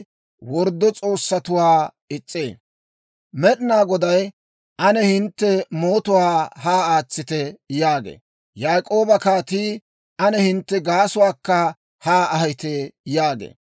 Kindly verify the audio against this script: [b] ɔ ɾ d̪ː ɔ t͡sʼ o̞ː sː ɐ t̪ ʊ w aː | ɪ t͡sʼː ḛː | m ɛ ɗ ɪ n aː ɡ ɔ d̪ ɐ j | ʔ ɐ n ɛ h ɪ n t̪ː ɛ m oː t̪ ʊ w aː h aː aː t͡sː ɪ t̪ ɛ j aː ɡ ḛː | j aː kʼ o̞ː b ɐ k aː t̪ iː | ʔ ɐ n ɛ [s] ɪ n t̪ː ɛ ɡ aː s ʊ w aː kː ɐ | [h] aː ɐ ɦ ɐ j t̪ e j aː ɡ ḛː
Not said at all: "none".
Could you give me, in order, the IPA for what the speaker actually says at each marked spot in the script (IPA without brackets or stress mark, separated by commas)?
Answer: w, h, h